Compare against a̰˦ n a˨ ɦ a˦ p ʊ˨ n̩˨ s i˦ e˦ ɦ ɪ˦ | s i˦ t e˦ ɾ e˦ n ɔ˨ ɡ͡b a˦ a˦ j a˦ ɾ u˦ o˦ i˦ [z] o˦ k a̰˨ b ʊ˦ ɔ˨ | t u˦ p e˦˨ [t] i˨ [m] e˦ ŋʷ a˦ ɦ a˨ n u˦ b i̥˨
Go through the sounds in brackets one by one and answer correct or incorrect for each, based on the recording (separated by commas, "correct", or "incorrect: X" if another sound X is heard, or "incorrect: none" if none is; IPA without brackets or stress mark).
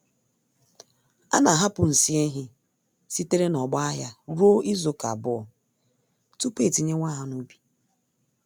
correct, correct, incorrect: ɲ